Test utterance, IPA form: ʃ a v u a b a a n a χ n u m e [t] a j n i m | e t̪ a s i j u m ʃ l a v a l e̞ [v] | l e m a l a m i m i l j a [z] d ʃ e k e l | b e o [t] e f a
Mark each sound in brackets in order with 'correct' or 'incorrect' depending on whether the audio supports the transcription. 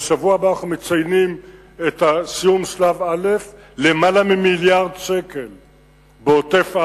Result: incorrect, incorrect, incorrect, correct

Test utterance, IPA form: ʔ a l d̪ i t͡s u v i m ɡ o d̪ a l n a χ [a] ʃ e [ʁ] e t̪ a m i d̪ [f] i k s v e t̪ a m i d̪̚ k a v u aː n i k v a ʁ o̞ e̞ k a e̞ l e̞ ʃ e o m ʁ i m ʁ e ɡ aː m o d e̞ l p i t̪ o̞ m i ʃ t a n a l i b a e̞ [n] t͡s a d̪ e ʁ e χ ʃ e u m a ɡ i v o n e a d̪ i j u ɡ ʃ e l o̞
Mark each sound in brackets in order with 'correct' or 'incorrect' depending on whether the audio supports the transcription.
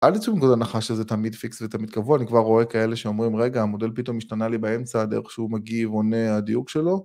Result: correct, incorrect, correct, incorrect

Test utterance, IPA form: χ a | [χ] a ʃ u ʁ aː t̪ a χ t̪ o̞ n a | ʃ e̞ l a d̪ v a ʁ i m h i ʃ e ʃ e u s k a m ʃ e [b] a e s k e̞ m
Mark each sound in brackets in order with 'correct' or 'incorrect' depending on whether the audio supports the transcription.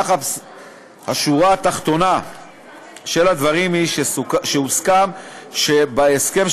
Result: incorrect, correct

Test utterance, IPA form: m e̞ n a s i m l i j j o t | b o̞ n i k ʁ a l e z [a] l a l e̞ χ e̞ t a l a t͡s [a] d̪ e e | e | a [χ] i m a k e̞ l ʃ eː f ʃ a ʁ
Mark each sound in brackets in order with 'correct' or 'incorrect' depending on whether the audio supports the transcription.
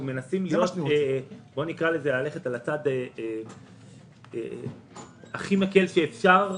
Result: incorrect, correct, correct

